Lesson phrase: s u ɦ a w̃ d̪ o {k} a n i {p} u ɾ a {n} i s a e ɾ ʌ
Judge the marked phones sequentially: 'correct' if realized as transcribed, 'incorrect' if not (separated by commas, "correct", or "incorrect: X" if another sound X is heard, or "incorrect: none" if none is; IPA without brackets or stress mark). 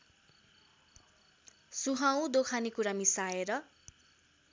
incorrect: kʰ, incorrect: k, incorrect: m